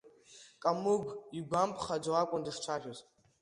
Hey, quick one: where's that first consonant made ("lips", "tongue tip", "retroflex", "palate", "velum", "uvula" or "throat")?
velum